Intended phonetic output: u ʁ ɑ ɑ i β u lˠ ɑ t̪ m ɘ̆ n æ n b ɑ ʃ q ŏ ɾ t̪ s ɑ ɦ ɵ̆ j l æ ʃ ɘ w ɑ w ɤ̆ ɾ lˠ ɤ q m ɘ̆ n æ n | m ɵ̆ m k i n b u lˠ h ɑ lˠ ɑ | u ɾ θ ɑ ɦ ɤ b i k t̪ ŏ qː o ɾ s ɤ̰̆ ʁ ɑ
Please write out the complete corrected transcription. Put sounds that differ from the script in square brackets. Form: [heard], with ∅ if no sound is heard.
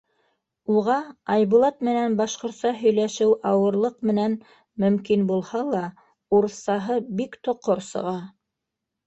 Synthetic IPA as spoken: u ʁ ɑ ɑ [j] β u lˠ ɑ t̪ m ɘ̆ n æ n b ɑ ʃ q ŏ ɾ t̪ s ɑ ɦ ɵ̆ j l æ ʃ ɘ w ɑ w ɤ̆ ɾ lˠ ɤ q m ɘ̆ n æ n | m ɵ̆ m k i n b u lˠ h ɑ lˠ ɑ | u ɾ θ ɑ ɦ ɤ b i k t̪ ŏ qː o ɾ s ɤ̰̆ ʁ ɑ